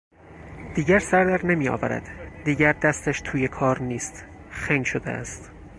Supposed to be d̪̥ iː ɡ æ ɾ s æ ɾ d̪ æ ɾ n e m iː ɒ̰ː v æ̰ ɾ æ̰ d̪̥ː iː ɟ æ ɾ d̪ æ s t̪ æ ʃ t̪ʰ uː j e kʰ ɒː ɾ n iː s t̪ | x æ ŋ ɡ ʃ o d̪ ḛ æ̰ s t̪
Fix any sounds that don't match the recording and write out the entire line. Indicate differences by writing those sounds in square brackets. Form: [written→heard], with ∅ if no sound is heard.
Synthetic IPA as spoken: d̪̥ iː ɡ æ ɾ s æ ɾ d̪ æ ɾ n e m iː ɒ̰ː v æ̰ ɾ æ̰ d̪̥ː iː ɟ æ ɾ d̪ æ s t̪ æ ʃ t̪ʰ uː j e kʰ ɒː ɾ n iː s t̪ | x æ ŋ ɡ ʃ o d̪ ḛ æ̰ s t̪